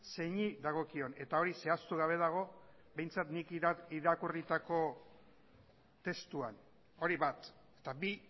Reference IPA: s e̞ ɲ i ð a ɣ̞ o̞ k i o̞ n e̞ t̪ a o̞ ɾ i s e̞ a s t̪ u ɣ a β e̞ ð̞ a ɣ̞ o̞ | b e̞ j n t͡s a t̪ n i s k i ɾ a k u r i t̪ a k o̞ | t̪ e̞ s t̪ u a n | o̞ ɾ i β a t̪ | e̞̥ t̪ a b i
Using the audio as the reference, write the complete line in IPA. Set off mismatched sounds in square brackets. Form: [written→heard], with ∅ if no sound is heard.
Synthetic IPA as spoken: s e̞ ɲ i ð a ɣ̞ o̞ k i o̞ n e̞ t̪ a o̞ ɾ i s e̞ a s t̪ u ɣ a β e̞ ð̞ a ɣ̞ o̞ | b e̞ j n t͡s a t̪ n i [s→∅] k i ɾ a k u r i t̪ a k o̞ | t̪ e̞ s t̪ u a n | o̞ ɾ i β a t̪ | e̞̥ t̪ a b i